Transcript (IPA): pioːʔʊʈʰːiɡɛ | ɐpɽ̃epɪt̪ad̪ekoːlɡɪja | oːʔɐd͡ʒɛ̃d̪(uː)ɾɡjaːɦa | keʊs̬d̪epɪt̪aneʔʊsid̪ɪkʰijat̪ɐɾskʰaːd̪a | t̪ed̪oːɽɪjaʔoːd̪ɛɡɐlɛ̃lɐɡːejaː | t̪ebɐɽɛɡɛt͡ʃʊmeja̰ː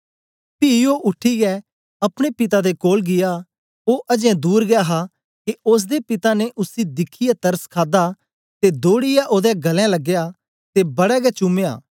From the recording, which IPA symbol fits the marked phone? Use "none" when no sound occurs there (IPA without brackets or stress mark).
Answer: uː